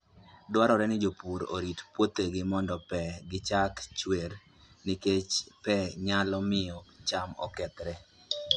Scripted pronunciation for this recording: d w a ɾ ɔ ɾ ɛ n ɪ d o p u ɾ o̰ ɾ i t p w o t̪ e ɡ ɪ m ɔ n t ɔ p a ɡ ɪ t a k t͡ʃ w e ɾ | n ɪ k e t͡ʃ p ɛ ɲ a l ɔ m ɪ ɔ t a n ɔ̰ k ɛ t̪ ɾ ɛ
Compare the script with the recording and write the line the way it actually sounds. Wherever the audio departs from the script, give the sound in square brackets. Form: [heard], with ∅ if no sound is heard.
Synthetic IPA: d w a ɾ ɔ ɾ ɛ n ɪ [d͡ʒ] o p u ɾ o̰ ɾ i t p w o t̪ e ɡ ɪ m ɔ n [d] ɔ p [ɛ] ɡ ɪ [t͡ʃ] a k t͡ʃ w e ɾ | n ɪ k e t͡ʃ p ɛ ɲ a l ɔ m ɪ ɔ [t͡ʃ] a [m] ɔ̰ k ɛ t̪ ɾ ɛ